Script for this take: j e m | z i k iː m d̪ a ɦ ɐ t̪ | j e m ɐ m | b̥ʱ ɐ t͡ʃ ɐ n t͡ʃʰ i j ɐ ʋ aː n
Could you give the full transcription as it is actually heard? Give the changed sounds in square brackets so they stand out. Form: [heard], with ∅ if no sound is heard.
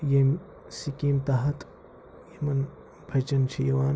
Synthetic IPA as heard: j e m | [s] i k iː m [t̪] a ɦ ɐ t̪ | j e m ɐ [n] | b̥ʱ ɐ t͡ʃ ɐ n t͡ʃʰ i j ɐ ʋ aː n